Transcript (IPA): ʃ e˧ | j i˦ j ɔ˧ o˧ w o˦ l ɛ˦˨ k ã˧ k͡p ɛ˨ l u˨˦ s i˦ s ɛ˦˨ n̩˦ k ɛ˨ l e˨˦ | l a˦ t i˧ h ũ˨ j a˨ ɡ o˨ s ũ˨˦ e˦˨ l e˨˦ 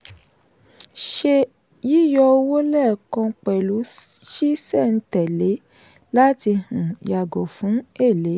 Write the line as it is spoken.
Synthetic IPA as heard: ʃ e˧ | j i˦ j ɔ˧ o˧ w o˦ l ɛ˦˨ k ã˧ k͡p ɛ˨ l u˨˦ ʃ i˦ s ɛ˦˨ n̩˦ t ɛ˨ l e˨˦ | l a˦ t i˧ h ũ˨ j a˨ ɡ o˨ f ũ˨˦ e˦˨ l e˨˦